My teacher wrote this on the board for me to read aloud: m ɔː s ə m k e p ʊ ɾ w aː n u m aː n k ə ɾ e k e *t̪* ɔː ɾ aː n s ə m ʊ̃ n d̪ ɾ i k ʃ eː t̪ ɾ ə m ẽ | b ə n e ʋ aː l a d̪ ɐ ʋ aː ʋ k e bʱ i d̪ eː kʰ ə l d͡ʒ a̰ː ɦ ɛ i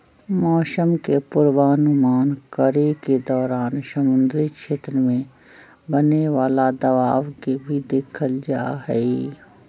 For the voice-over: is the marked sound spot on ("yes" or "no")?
no